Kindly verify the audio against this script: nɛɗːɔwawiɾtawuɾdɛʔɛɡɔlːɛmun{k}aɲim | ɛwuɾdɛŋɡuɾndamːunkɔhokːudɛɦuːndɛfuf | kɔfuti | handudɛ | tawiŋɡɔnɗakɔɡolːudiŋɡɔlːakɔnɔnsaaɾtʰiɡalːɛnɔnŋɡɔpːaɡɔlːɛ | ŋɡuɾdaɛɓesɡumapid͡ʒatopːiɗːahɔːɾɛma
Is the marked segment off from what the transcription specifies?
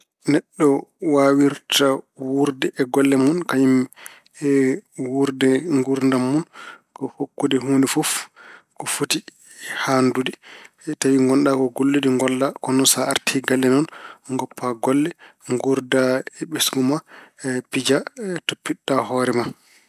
no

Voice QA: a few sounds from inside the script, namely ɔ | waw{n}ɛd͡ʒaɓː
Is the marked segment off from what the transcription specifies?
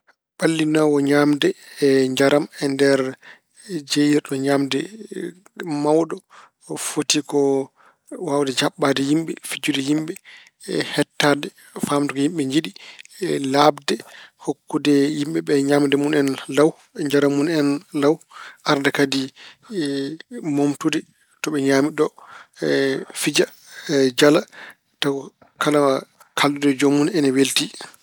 yes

